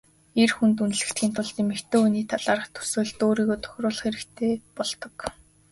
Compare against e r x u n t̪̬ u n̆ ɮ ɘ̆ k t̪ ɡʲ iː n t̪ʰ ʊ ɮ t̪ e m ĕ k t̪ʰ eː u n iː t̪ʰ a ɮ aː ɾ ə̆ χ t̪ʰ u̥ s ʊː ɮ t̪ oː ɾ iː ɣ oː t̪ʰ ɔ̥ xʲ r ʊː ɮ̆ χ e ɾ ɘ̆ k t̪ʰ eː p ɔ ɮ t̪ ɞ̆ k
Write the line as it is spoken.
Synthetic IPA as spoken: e r x u n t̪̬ u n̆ ɮ ɘ̆ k t̪ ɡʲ iː n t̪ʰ ʊ ɮ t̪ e m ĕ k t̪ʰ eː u n iː t̪ʰ a ɮ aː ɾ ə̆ χ t̪ʰ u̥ s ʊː ɮ t̪ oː ɾ iː ɣ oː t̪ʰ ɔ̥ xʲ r ʊː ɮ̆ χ e ɾ ɘ̆ k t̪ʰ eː p ɔ ɮ t̪ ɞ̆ k